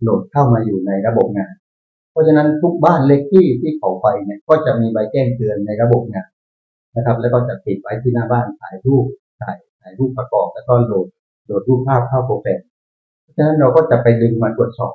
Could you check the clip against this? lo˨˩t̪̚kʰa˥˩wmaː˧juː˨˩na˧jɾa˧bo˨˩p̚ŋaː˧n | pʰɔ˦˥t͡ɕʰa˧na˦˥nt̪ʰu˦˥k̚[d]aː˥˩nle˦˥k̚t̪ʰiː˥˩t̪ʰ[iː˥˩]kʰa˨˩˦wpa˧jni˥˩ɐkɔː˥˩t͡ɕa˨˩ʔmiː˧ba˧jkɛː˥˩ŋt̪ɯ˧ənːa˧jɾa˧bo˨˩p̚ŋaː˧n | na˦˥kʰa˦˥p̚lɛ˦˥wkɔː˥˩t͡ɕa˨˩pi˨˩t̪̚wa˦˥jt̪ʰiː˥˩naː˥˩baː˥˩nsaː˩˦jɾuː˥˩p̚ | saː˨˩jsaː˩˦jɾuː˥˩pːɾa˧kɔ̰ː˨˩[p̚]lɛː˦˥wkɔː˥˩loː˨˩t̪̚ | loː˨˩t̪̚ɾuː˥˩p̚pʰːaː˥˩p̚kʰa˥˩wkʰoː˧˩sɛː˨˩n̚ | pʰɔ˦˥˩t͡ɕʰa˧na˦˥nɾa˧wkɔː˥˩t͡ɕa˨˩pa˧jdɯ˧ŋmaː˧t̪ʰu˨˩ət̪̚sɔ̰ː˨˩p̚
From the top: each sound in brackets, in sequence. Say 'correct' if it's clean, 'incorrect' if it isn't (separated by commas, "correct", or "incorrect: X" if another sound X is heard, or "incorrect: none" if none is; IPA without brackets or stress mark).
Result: incorrect: b, correct, correct